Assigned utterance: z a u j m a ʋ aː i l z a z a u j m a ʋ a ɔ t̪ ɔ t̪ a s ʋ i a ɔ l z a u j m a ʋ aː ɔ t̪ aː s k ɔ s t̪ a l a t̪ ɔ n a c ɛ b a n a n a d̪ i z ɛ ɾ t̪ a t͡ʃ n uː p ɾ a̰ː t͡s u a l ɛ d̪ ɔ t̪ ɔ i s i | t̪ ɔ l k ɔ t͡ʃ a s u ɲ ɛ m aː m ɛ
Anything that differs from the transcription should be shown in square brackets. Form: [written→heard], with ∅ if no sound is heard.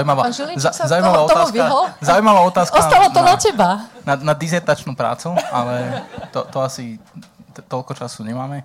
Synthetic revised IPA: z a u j m a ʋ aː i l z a z a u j m a ʋ a ɔ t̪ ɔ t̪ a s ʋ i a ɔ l z a u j m a ʋ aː ɔ t̪ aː s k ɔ s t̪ a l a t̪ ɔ n a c ɛ b a n a n a d̪ i z ɛ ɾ t̪ a t͡ʃ n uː p ɾ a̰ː t͡s u a l ɛ [d̪→t̪] ɔ t̪ ɔ [i→a] s i | t̪ ɔ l k ɔ t͡ʃ a s u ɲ ɛ m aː m ɛ